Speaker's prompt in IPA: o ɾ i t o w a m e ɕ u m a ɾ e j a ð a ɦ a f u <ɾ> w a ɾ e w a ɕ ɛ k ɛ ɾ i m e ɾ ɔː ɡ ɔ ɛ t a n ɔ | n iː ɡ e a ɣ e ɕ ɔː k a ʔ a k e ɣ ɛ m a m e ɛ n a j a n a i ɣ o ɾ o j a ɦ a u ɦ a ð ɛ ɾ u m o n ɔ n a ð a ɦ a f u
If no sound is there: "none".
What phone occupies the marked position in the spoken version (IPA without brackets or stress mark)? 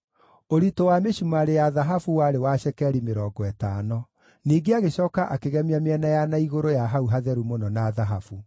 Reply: none